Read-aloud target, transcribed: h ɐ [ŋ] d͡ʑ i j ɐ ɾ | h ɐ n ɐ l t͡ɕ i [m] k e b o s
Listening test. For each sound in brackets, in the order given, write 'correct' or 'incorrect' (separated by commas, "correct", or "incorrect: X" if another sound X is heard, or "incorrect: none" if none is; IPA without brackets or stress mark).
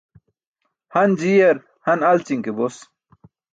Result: incorrect: n, incorrect: ŋ